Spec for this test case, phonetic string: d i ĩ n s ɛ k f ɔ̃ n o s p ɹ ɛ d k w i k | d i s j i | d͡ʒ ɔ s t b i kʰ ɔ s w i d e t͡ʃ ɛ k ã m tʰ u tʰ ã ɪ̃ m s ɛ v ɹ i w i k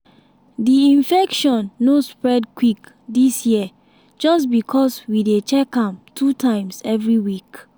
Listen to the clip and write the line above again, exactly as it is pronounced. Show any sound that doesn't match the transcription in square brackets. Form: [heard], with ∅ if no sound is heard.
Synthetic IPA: d i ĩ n [f] ɛ k [ʃ] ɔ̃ [nː] o s p ɹ ɛ d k w i k | d i s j i | d͡ʒ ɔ s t b i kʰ ɔ s w i d e t͡ʃ ɛ k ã m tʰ u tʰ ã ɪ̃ m s ɛ v ɹ i w i k